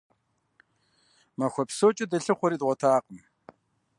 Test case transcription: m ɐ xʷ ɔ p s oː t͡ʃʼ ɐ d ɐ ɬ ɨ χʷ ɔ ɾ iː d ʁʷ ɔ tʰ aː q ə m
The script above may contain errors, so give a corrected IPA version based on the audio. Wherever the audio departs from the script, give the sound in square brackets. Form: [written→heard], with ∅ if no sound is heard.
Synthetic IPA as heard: m ɐ xʷ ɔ p s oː t͡ʃʼ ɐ d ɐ ɬ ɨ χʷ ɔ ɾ iː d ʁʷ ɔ tʰ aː q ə m